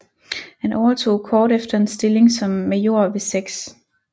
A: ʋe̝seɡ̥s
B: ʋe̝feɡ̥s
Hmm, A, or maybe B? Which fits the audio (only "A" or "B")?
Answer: A